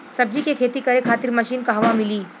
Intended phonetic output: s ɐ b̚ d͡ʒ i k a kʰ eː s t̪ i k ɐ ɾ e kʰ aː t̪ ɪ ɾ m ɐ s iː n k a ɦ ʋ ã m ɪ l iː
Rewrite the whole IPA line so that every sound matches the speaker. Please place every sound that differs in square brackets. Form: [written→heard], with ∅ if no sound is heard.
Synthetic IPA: s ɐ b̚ d͡ʒ i k [a→e] kʰ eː [s→∅] t̪ i k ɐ ɾ e kʰ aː t̪ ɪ ɾ m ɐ [s→ʃ] iː n k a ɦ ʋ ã m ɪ l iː